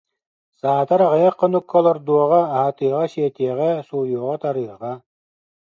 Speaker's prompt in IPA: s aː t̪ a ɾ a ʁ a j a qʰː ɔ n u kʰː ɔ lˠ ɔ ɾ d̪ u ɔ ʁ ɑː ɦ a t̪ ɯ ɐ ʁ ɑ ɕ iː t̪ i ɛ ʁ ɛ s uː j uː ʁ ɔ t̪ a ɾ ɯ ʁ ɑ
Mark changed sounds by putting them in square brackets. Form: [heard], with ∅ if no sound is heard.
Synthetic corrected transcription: s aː t̪ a ɾ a ʁ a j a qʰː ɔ n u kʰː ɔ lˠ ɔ ɾ d̪ u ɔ ʁ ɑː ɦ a t̪ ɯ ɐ ʁ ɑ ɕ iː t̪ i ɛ ʁ ɛ s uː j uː ʁ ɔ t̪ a ɾ ɯ ʁ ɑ